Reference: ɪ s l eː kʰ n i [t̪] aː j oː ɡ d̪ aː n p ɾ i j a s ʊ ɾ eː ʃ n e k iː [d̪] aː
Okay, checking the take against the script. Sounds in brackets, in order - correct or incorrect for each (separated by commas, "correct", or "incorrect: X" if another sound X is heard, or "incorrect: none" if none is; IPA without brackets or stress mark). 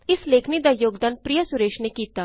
incorrect: d̪, incorrect: t̪